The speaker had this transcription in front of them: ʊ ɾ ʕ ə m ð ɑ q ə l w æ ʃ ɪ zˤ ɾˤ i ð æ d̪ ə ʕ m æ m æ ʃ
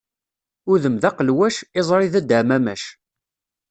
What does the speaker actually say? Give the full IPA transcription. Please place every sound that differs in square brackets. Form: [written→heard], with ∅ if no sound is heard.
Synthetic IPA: ʊ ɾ [ʕ→ð] ə m ð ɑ q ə l w æ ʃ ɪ zˤ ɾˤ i ð æ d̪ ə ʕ m æ m æ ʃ